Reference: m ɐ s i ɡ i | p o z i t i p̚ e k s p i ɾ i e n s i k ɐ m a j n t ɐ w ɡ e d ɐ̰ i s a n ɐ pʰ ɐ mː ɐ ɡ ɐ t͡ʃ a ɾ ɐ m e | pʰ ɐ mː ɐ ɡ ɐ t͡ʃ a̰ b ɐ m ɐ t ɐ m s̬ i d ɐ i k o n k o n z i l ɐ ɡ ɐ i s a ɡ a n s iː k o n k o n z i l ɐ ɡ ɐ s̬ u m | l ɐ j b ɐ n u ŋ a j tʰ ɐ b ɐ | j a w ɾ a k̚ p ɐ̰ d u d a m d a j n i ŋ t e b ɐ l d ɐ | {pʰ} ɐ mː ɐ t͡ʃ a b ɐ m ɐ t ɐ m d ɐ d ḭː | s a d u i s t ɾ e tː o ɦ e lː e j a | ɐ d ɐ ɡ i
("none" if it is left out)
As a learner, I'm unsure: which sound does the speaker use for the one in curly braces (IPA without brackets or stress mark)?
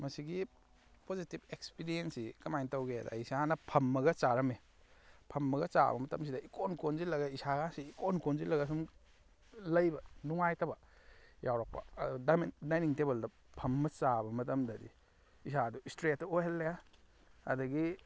pʰ